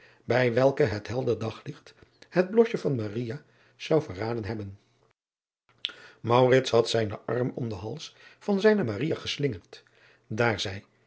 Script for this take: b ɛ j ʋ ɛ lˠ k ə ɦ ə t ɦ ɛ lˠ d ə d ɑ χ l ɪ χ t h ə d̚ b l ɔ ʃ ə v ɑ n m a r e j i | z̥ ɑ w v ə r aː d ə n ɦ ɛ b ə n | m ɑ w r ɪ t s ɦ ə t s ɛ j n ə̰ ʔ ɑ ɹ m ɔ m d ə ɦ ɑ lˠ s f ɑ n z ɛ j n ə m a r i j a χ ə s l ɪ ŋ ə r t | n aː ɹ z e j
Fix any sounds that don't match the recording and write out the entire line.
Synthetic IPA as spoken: b ɛ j ʋ ɛ lˠ k ə ɦ ə t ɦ ɛ lˠ d ə d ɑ χ l ɪ χ t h ə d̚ b l ɔ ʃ ə v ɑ n m a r i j a | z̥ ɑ w v ə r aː d ə n ɦ ɛ b ə n | m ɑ w r ɪ t s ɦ ɑ t s ɛ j n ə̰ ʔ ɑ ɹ m ɔ m d ə ɦ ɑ lˠ s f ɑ n z ɛ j n ə m a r i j a χ ə s l ɪ ŋ ə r t | d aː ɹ z ɛ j